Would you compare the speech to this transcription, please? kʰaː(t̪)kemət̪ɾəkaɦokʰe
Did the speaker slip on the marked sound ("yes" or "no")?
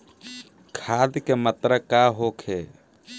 yes